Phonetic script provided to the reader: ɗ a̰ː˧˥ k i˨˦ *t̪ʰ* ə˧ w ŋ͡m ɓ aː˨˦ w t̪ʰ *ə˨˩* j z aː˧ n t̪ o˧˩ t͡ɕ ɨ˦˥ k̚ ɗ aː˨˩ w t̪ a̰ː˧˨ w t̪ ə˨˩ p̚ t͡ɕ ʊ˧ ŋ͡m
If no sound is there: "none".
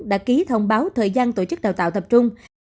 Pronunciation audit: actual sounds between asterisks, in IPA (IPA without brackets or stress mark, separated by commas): t̪ʰ, əː˨˩